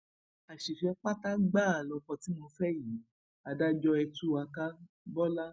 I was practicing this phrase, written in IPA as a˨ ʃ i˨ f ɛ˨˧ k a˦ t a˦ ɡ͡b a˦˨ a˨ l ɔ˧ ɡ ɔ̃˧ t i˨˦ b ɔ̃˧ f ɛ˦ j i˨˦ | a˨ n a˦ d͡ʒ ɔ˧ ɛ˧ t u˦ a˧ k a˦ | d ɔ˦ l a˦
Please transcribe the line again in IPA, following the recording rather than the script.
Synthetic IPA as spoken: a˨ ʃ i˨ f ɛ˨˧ k͡p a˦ t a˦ ɡ͡b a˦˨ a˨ l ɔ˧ k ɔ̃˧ t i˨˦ m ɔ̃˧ f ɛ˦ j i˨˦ | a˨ d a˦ d͡ʒ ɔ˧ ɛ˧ t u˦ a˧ k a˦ | b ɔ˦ l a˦